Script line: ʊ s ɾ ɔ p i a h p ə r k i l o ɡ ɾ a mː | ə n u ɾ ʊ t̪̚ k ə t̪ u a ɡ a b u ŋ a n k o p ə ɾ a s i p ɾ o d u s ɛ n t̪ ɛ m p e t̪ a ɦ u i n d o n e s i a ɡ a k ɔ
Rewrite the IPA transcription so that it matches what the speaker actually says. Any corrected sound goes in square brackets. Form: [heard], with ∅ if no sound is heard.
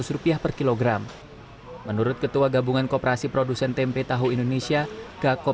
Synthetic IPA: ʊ s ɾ [u] p i a h p ə r k i l o ɡ ɾ a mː | ə n u ɾ ʊ t̪̚ k ə t̪ u a ɡ a b u ŋ a n k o p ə ɾ a s i p ɾ o d u s ɛ n t̪ ɛ m p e t̪ a ɦ u i n d o n e s i a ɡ a k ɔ